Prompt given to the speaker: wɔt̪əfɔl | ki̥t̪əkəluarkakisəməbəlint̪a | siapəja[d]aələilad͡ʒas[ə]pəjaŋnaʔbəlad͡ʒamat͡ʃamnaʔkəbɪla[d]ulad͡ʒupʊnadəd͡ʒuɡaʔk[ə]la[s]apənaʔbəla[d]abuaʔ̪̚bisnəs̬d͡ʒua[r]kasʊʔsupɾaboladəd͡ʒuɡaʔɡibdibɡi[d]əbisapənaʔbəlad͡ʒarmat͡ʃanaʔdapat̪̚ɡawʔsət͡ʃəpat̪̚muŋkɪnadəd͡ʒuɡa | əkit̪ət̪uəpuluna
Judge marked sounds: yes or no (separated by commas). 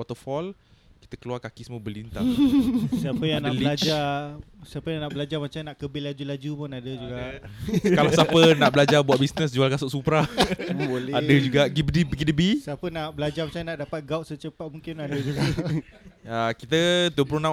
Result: no, no, no, no, yes, no, no, yes